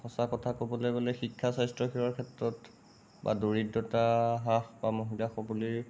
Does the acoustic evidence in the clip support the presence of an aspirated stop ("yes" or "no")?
yes